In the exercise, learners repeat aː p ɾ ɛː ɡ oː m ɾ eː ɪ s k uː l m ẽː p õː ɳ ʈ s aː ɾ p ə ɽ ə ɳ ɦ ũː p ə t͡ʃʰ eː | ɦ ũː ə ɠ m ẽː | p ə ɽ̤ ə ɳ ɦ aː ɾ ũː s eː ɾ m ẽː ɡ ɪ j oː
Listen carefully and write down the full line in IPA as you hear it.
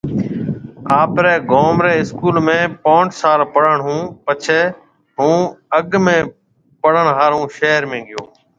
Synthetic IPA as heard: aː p ɾ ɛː ɡ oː m ɾ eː ɪ s k uː l m ẽː p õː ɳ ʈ s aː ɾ p ə ɽ ə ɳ ɦ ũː p ə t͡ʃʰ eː | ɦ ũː ə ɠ m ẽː | p ə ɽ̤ ə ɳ ɦ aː ɾ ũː ʃ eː ɾ m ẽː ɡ ɪ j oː